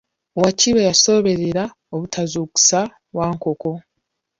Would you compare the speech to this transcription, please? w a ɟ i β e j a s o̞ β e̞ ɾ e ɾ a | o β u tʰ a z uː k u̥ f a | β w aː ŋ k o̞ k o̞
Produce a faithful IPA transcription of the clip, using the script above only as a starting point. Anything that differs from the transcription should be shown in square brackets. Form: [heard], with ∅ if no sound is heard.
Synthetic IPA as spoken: w a [c] i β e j a s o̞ β e̞ ɾ e ɾ a | o β u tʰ a z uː k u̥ [s] a | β w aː ŋ k o̞ k o̞